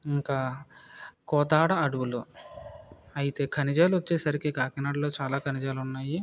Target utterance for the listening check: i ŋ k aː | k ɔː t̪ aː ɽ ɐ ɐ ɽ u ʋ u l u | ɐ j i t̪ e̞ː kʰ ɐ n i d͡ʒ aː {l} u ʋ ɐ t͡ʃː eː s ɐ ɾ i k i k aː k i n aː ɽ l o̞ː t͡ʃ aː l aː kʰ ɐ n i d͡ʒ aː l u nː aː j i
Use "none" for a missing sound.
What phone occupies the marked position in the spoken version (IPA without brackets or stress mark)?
l